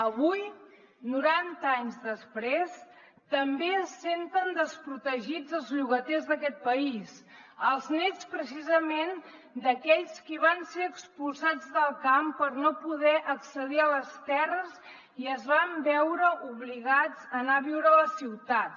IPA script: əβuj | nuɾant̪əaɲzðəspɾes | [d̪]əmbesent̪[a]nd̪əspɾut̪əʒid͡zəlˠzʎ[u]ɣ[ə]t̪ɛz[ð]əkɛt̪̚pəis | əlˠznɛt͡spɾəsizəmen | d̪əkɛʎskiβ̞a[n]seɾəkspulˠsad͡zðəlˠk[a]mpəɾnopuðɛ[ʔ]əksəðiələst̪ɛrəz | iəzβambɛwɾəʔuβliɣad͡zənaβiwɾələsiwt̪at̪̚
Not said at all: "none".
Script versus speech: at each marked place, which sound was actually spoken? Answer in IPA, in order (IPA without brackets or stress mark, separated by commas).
t̪, ə, u, ə, ð, n, a, ʔ